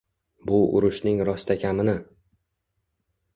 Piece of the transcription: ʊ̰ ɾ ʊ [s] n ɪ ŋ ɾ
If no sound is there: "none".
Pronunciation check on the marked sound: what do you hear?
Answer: ʃ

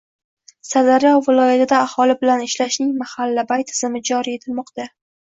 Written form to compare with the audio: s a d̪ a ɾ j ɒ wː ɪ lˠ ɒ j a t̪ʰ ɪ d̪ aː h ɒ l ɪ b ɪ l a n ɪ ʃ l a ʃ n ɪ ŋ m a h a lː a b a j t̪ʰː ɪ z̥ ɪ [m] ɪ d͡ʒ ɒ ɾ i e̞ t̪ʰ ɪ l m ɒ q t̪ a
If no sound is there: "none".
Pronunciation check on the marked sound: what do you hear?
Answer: m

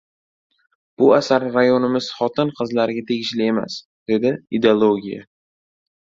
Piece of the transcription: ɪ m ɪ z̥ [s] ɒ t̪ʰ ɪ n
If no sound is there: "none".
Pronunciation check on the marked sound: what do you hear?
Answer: χ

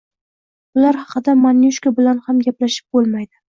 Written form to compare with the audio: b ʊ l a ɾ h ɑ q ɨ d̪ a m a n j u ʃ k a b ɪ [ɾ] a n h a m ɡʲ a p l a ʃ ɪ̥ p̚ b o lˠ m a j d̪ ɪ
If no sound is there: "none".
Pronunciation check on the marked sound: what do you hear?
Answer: l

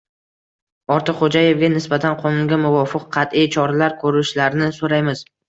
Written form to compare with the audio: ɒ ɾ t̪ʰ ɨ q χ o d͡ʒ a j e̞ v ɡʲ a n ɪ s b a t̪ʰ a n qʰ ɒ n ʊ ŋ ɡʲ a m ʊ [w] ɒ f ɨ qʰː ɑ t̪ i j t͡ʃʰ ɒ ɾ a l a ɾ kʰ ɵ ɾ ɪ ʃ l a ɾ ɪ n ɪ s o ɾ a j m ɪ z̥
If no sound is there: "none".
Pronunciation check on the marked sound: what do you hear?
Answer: v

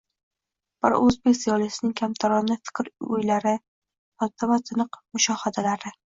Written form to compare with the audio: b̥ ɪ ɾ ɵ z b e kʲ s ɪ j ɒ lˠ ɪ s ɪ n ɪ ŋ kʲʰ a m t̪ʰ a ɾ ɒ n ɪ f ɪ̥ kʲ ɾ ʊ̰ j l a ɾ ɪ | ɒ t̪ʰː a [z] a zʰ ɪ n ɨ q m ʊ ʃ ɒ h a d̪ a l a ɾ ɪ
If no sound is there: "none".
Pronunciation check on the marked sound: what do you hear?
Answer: v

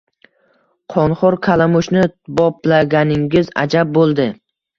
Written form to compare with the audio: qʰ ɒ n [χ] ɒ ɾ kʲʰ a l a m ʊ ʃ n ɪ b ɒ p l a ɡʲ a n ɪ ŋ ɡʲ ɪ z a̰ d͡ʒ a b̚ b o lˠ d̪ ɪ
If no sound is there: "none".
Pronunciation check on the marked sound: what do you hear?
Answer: χ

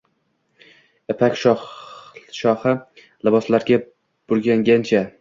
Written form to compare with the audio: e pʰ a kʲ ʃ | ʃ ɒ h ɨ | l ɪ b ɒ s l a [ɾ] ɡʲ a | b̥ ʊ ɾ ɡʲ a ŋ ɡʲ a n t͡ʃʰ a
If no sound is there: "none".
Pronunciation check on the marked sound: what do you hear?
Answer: ɾ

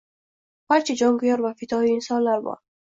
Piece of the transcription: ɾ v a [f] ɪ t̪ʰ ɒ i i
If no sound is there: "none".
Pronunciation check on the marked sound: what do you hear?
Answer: f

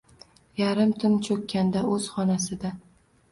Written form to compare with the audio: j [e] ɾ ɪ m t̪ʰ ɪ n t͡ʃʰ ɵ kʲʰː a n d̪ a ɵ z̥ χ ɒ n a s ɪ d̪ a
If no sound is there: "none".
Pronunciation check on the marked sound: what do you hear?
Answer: a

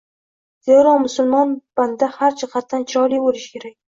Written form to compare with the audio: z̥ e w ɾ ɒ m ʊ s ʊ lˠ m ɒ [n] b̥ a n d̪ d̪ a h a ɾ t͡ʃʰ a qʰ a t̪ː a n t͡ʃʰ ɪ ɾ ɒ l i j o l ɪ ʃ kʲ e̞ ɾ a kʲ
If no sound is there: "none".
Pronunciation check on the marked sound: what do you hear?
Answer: n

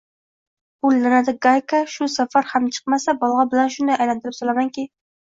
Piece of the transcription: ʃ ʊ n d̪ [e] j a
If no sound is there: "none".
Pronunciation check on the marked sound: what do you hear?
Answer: a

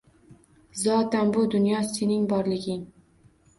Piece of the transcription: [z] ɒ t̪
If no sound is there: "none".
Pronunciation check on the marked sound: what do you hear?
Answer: z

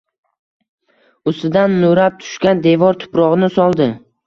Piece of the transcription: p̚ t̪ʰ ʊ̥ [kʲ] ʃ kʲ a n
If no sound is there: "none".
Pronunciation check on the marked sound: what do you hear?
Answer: none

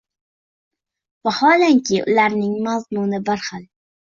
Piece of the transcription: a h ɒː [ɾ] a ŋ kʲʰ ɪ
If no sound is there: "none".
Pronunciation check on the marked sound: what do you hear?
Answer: l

